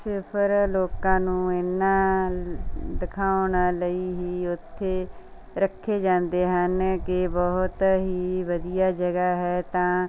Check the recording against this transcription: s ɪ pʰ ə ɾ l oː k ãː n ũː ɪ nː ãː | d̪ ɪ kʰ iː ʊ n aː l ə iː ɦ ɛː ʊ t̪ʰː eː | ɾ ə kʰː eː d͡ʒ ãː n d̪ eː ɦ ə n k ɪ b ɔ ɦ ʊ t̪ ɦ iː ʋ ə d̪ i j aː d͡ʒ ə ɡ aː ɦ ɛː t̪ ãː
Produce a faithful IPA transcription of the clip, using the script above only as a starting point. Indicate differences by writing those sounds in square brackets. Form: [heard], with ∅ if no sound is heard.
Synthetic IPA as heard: s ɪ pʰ ə ɾ l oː k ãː n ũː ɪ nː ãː | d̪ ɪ kʰ [aː] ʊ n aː l ə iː ɦ [iː] ʊ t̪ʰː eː | ɾ ə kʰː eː d͡ʒ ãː n d̪ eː ɦ ə n k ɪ b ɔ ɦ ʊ t̪ ɦ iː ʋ ə d̪ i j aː d͡ʒ ə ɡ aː ɦ ɛː t̪ ãː